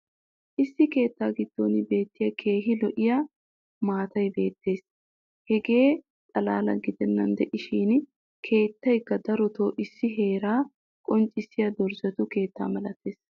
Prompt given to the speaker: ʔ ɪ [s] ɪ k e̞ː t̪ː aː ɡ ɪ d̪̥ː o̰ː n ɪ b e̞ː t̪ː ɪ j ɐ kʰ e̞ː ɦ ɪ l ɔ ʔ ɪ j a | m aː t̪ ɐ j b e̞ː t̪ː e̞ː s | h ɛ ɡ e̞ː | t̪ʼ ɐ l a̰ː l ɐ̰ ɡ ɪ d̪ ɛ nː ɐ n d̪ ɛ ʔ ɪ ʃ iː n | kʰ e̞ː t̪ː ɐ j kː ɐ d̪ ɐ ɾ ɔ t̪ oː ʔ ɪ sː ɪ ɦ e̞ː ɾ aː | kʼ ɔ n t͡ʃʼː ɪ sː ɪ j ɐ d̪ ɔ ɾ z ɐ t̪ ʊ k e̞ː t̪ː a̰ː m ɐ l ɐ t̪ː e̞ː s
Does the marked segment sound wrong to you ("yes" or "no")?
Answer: yes